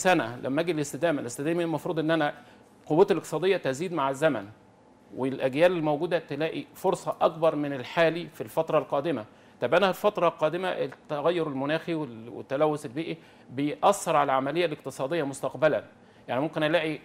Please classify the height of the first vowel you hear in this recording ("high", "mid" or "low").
low